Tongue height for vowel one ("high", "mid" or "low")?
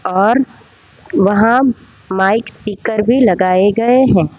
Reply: mid